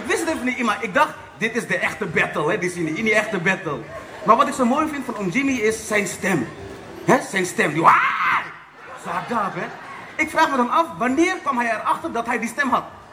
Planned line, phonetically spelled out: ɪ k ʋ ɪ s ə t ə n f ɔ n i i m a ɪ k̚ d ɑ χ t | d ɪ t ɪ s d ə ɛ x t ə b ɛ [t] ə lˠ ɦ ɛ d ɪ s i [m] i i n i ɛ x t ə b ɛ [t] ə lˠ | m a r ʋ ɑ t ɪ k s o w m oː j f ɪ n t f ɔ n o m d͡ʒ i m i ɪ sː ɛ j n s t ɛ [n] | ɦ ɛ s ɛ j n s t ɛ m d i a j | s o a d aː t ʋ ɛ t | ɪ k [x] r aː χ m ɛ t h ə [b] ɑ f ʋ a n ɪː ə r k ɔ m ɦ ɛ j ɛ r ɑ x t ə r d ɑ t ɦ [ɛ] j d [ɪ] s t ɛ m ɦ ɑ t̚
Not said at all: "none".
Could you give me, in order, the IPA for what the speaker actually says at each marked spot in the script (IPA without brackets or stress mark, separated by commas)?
t, n, t, m, f, m, ɛ, i